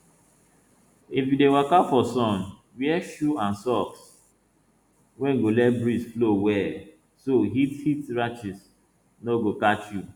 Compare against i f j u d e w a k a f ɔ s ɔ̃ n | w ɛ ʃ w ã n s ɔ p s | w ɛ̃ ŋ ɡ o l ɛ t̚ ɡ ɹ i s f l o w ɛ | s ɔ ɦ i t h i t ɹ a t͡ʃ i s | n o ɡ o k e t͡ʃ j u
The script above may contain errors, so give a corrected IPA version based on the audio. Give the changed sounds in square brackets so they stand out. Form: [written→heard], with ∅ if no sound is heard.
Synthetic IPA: i f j u d e w a k a f ɔ s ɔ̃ n | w ɛ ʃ [w→u] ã n s ɔ [p→k] s | w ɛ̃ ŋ ɡ o l ɛ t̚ [ɡ→b] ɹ i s f l o w ɛ | s [ɔ→o] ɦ i t h i t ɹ a t͡ʃ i s | n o ɡ o k [e→a] t͡ʃ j u